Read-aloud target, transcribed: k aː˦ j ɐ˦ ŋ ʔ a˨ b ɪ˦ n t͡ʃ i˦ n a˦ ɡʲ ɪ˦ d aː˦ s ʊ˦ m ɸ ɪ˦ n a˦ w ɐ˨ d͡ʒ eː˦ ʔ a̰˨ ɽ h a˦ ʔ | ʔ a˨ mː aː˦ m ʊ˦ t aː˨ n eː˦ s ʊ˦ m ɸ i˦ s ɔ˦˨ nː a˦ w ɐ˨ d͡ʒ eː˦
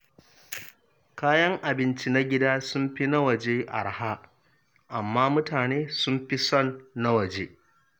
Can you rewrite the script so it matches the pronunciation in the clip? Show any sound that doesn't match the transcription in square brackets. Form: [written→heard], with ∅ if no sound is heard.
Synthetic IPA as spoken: k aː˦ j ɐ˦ ŋ ʔ a˨ b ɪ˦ n t͡ʃ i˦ n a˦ ɡʲ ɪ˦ d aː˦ s ʊ˦ m ɸ [ɪ˦→i˦] n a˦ w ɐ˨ d͡ʒ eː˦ ʔ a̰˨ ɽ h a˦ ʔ | ʔ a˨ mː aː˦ m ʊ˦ t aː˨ n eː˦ s ʊ˦ m ɸ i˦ s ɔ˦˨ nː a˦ w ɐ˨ d͡ʒ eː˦